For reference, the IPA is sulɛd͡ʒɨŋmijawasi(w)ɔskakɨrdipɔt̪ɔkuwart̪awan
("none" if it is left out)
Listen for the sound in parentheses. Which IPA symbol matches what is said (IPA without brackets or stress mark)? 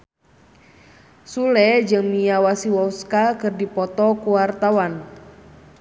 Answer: w